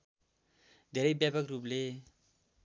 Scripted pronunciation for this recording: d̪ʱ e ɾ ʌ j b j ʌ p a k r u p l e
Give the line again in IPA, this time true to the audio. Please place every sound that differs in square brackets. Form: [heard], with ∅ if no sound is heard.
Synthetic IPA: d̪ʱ e ɾ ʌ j b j [a] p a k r u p l e